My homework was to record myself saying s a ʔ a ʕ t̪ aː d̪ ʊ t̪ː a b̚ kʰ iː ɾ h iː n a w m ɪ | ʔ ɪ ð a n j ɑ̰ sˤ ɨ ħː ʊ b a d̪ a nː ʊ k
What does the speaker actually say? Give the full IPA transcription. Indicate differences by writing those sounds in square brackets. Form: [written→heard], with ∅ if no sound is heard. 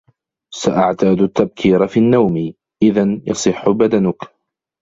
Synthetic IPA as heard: s a ʔ a ʕ t̪ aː d̪ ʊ t̪ː a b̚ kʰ iː ɾ [h→f] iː [n→nː] a w m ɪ | ʔ ɪ ð a n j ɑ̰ sˤ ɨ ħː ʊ b a d̪ a [nː→n] ʊ k